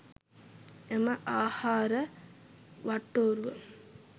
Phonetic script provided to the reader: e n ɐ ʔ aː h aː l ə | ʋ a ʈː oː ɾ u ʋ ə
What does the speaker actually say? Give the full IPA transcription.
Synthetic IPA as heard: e m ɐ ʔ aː h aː ɾ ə | ʋ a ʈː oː ɾ u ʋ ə